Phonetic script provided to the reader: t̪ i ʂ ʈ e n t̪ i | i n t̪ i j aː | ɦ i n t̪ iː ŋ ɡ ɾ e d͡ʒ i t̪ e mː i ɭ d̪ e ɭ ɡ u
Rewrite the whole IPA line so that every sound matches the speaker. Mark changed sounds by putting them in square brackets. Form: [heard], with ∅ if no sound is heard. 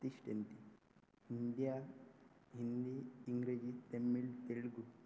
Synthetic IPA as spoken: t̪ i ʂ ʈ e n t̪ i | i n [d̪] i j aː | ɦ i n [d̪] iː ŋ ɡ ɾ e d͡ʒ i t̪ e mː i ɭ [t̪] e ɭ ɡ u